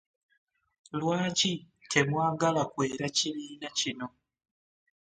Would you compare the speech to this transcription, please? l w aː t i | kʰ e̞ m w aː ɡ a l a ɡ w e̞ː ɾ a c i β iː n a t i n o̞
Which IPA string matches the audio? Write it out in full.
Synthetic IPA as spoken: l w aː c i | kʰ e̞ m w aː ɡ a l a k w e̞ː ɾ a c i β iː n a c i n o̞

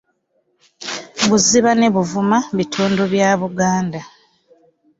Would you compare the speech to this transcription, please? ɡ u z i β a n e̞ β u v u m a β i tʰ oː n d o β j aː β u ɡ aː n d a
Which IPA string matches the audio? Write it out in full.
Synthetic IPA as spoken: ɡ u z i β a n e̞ β u v u m a β i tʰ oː n d o β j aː β u ɡ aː n d a

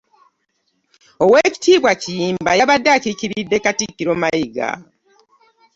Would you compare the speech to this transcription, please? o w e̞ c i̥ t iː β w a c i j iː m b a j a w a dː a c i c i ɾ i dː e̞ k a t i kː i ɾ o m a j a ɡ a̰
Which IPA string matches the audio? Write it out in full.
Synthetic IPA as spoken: o w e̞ c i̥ t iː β w a c i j iː m b a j a β a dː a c i c i ɾ i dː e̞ k a t i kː i ɾ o m a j i ɡ a̰

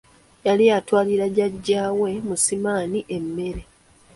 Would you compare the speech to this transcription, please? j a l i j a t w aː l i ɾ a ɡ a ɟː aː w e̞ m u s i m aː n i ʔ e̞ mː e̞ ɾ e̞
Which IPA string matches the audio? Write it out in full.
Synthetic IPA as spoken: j a l i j a t w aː l i ɾ a ɟ a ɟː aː w e̞ m u s i m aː n i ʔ e̞ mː e̞ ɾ e̞

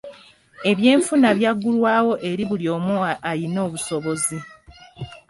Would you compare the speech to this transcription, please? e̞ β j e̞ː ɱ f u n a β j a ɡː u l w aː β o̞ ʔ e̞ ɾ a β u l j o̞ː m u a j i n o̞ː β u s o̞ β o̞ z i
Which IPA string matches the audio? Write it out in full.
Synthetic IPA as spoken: e̞ β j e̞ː ɱ f u n a β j a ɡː u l w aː w o̞ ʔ e̞ ɾ i β u l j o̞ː m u a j i n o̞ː β u s o̞ β o̞ z i

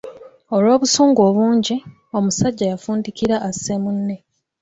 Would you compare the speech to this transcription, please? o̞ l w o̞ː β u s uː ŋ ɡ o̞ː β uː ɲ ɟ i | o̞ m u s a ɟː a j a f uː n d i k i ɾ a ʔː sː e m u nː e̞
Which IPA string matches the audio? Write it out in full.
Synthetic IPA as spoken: o̞ l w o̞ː β u s uː ŋ ɡ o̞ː β uː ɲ ɟ i | o̞ m u s a ɟː a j a f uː n d i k i ɾ a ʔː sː e m u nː e̞

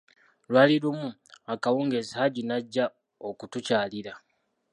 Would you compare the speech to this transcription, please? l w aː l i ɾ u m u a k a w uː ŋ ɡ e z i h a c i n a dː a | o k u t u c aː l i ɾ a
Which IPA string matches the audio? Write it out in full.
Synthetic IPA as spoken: l w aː l i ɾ u m u a k a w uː ŋ ɡ e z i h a ɟ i n a ɟː a | o k u t u c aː l i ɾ a

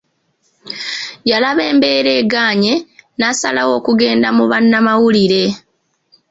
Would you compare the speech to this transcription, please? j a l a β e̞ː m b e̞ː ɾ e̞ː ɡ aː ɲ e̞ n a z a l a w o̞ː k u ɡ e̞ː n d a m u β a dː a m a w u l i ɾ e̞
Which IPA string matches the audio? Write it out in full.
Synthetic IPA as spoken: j a l a β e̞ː m b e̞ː ɾ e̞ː ɡ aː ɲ e̞ n a s a l a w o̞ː k u ɡ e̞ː n d a m u β a nː a m a w u l i ɾ e̞

